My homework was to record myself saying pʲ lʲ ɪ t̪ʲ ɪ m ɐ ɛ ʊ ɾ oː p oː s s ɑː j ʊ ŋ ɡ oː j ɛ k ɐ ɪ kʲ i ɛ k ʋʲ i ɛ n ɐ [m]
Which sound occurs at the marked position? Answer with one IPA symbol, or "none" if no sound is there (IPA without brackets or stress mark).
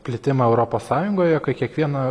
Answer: none